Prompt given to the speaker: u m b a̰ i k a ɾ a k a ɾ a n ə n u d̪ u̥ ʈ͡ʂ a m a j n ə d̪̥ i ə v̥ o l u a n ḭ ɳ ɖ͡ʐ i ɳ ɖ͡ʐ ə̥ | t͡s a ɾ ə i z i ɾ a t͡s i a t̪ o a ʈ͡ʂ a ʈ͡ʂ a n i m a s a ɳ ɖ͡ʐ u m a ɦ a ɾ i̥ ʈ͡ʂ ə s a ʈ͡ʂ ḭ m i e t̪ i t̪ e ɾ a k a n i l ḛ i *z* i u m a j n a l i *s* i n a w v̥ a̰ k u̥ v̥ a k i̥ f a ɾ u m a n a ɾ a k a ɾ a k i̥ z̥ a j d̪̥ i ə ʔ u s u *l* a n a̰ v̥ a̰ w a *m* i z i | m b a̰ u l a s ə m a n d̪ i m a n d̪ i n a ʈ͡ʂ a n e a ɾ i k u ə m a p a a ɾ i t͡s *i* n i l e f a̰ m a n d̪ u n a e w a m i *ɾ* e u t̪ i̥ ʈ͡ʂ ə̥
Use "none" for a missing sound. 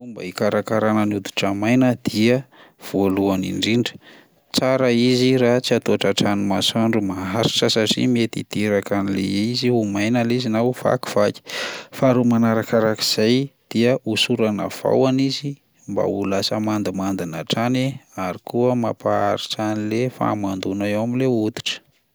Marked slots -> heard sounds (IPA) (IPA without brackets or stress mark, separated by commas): z, z, ɾ, n, a, l